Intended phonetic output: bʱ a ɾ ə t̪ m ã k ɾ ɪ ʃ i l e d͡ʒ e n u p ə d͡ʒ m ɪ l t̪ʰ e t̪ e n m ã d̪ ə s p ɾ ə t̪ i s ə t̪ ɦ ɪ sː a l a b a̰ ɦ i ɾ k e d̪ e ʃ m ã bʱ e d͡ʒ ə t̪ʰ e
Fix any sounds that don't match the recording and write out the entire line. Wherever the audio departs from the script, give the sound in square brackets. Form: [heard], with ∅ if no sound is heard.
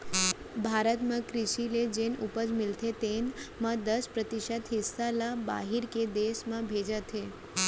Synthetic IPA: bʱ a ɾ ə t̪ m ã k ɾ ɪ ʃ i l e d͡ʒ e n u p ə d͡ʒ m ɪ l t̪ʰ e t̪ e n m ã d̪ ə s p ɾ ə t̪ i [ʃ] ə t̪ ɦ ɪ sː a l a b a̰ ɦ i ɾ k e d̪ e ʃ m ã bʱ e d͡ʒ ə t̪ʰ e